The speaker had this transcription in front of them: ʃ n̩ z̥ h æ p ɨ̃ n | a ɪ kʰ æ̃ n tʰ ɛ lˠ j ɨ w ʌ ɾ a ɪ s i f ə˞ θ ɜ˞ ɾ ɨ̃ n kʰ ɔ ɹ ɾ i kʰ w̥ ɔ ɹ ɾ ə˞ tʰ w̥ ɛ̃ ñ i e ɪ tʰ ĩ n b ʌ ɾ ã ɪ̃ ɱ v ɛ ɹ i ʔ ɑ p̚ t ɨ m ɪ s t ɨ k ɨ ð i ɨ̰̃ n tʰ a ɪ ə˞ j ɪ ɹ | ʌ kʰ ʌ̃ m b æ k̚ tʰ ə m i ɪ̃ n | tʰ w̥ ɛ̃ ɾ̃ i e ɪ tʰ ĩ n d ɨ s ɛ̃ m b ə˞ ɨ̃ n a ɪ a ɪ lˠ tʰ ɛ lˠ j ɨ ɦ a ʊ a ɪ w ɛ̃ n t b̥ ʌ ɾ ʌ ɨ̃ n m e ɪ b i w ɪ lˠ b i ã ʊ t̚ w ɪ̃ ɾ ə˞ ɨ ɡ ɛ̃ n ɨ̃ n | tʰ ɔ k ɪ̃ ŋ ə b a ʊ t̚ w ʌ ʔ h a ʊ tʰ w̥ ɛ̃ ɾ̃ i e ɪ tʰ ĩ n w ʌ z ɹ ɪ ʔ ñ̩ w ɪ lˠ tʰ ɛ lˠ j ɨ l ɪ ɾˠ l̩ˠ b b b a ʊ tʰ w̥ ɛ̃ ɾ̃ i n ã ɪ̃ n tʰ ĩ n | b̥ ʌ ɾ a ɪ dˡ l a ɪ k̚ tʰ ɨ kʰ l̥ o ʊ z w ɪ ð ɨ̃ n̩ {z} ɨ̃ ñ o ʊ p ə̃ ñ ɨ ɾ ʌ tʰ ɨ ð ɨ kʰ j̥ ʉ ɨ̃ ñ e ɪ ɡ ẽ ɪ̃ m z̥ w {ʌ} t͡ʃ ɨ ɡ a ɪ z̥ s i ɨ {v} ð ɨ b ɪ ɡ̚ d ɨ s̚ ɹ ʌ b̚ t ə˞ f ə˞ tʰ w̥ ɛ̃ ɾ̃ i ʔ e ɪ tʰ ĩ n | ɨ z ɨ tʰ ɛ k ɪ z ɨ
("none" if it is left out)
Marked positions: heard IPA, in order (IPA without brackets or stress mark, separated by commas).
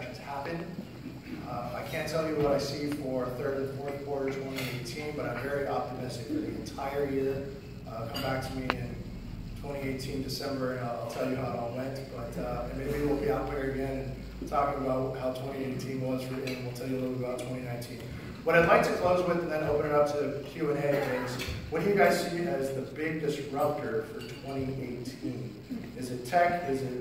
ð, ʌ, z